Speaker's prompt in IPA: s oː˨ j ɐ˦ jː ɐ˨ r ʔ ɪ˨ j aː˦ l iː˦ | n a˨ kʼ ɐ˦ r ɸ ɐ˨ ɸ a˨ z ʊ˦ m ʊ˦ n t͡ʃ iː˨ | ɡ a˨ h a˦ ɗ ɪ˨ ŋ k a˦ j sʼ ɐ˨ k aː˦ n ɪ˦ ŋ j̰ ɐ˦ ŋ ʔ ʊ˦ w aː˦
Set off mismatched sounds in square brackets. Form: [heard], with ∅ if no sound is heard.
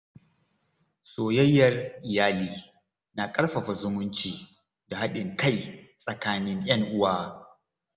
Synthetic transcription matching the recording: s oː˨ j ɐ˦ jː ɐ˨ r ʔ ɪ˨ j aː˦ l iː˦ | n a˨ kʼ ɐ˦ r ɸ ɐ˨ ɸ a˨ z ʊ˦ m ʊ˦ n t͡ʃ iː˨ | [d] a˨ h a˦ ɗ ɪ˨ ŋ k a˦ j sʼ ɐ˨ k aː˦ n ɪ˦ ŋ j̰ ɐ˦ ŋ ʔ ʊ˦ w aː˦